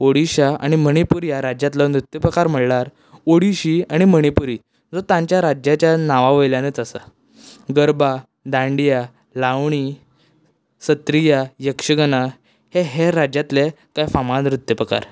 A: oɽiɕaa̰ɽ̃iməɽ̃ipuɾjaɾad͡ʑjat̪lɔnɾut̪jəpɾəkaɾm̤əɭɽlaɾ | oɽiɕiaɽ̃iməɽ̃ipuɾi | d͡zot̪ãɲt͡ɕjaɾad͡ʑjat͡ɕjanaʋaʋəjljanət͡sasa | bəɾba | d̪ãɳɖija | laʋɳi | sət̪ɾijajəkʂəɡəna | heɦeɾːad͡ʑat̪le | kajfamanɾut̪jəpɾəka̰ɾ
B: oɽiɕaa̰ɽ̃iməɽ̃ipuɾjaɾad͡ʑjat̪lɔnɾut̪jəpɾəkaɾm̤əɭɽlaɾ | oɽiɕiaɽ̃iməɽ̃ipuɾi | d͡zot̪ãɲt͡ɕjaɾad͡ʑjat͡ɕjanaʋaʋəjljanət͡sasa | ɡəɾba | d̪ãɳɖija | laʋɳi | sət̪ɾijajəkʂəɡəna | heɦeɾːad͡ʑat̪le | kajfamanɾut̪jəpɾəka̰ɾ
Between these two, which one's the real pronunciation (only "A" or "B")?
B